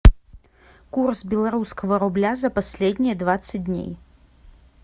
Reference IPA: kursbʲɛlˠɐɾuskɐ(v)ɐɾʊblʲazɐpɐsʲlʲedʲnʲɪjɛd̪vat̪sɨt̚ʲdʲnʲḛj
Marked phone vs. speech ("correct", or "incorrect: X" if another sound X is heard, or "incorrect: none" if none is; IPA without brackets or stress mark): correct